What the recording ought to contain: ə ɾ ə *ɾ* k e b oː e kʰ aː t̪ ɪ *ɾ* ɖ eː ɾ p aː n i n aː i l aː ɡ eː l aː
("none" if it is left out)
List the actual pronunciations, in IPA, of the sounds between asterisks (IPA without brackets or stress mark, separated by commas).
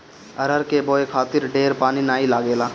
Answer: ɾ, ɾ